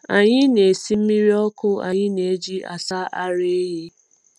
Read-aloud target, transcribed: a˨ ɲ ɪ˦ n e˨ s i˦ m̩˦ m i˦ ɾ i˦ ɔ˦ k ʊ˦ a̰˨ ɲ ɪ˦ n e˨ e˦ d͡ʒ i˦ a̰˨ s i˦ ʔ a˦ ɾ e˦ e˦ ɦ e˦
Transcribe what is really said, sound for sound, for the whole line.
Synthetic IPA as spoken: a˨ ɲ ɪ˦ n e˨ s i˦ m̩˦ m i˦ ɾ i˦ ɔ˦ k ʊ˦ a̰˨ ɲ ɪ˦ n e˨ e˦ d͡ʒ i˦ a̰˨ s a˦ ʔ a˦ ɾ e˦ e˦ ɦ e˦

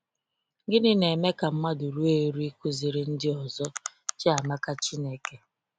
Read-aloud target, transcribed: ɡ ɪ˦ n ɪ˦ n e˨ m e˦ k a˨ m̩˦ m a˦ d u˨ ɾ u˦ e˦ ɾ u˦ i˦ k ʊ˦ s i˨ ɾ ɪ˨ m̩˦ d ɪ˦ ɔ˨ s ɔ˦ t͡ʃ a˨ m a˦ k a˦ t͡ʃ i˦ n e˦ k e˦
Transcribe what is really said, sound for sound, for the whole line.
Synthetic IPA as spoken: ɡ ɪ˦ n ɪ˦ n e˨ m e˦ k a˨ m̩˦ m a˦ d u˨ ɾ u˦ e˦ ɾ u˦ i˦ k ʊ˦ z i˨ ɾ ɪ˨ n̩˦ d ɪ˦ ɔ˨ z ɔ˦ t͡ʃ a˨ m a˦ k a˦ t͡ʃ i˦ n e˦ k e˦

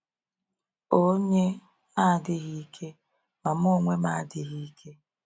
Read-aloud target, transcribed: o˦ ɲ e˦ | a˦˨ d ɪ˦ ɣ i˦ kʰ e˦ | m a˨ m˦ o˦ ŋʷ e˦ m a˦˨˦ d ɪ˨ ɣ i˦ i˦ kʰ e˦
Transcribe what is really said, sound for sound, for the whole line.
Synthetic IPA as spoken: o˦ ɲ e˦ | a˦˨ d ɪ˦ ɣ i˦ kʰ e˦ | m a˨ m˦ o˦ ŋʷ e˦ m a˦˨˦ d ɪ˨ ɣ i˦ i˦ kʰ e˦

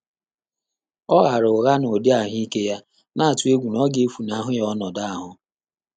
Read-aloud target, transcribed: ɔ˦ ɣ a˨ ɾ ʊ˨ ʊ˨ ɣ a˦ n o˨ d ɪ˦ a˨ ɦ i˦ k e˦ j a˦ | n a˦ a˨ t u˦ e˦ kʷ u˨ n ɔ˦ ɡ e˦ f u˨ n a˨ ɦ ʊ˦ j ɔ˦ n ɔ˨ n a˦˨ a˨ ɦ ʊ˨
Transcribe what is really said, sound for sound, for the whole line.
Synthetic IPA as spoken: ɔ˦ ɣ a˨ ɾ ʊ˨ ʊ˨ ɣ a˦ n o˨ d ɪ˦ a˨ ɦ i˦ k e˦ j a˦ | n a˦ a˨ t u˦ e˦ ɡʷ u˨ n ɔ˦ ɡ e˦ f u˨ n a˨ ɦ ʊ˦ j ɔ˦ n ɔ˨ d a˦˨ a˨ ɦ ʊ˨

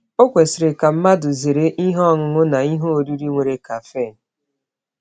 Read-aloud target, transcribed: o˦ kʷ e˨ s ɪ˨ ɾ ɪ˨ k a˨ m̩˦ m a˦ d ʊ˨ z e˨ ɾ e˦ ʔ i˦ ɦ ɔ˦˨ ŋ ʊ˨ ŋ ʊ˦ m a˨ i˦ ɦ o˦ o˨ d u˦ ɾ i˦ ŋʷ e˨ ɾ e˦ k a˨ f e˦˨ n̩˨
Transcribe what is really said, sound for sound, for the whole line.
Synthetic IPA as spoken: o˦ kʷ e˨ s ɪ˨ ɾ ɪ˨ k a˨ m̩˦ m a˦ d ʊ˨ z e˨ ɾ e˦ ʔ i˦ ɦ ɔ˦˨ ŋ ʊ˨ ŋ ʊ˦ n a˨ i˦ ɦ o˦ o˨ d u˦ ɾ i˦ ŋʷ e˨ ɾ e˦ k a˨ f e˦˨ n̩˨

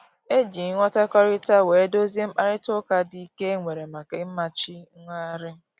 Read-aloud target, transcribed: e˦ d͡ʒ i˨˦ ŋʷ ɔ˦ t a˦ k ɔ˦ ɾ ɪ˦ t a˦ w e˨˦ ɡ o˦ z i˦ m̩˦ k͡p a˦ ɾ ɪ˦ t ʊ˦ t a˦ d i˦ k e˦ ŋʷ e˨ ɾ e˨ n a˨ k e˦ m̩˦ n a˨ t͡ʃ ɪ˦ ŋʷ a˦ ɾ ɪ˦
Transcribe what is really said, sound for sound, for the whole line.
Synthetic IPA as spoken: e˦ d͡ʒ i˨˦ ŋʷ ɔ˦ t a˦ k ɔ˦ ɾ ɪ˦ t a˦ w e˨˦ d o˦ z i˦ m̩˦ k͡p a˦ ɾ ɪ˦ t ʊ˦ k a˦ d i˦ k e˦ ŋʷ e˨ ɾ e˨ m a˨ k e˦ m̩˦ m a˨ t͡ʃ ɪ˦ ŋʷ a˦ ɾ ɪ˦

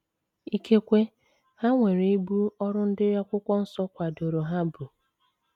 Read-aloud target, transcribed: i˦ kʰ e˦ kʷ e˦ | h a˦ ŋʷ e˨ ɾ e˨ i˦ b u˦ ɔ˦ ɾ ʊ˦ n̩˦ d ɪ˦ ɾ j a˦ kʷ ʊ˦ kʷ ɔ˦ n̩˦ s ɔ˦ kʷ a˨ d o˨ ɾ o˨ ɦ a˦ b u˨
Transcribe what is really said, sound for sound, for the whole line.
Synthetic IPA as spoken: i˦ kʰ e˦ kʷ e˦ | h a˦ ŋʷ e˨ ɾ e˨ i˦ b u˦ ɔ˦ ɾ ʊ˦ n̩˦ d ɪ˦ ɾ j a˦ kʷ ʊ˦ kʷ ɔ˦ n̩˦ s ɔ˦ kʷ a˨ d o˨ ɾ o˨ ɦ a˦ b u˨

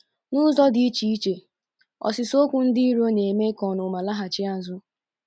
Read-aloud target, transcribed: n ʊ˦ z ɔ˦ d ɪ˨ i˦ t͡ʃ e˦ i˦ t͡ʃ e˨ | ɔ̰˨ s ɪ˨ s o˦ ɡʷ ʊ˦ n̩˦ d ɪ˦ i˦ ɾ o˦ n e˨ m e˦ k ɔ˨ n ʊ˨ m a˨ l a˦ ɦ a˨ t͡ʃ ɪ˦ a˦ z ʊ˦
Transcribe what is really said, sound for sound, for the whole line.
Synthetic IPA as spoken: n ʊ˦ z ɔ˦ d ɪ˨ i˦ t͡ʃ i˦ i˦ t͡ʃ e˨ | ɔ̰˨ s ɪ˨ s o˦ kʷ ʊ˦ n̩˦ d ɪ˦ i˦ ɾ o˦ n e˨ m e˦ k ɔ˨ n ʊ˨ m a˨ l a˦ ɦ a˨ t͡ʃ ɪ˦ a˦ z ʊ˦

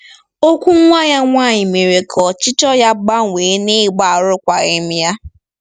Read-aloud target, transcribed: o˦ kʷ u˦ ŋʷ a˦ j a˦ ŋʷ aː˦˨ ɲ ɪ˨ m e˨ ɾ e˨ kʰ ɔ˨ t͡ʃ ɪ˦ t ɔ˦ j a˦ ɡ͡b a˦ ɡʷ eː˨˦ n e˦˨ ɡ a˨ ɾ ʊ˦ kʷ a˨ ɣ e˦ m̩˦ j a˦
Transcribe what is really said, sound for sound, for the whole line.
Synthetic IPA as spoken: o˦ kʷ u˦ ŋʷ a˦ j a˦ ŋʷ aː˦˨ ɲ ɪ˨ m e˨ ɾ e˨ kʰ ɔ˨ t͡ʃ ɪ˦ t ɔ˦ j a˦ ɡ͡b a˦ ŋʷ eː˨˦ n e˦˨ ɡ͡b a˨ ɾ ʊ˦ kʷ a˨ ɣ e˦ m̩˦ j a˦

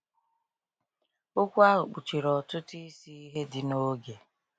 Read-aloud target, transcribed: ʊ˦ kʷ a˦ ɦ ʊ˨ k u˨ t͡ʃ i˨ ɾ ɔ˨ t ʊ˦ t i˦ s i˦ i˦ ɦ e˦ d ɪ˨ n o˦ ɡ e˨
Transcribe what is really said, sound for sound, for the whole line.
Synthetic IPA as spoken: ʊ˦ kʷ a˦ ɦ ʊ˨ k͡p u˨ t͡ʃ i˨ ɾ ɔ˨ t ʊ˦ t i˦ s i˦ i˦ ɦ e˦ d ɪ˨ n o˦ ɡ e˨

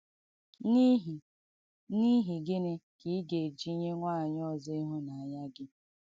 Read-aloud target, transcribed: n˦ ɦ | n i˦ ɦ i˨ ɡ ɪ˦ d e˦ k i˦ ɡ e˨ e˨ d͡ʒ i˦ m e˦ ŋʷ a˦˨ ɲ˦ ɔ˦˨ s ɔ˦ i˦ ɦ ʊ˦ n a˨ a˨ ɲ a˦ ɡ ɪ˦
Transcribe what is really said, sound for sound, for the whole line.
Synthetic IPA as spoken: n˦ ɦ | n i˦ ɦ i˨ ɡ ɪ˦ n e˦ k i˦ ɡ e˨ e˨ d͡ʒ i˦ ɲ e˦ ŋʷ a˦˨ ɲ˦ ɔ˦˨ z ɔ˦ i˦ ɦ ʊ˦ n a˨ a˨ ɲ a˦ ɡ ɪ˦

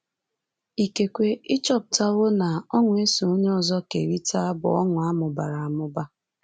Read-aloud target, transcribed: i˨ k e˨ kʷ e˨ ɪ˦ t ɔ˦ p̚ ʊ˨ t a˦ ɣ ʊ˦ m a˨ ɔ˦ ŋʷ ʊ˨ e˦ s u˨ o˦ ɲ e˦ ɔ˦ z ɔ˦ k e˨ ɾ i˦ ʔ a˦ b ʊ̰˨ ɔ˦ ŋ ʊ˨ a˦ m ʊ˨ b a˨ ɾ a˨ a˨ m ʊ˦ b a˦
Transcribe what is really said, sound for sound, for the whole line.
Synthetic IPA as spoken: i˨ k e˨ kʷ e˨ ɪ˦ t͡ʃ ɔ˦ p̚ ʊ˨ t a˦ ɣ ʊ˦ n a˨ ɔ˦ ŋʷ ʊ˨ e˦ s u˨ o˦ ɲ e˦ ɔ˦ z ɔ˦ k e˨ ɾ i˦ t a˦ b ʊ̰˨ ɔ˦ ŋ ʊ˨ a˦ m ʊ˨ b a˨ ɾ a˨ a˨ m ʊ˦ b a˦

